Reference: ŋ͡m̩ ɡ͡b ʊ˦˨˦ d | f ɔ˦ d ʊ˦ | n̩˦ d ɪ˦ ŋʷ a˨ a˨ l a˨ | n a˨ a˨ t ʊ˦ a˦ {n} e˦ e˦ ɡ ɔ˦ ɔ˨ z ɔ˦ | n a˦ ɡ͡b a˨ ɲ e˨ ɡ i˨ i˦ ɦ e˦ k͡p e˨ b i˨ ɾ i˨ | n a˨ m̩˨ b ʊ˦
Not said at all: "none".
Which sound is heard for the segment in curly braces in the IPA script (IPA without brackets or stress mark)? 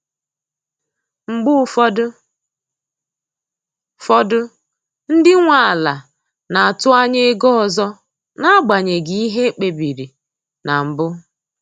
ɲ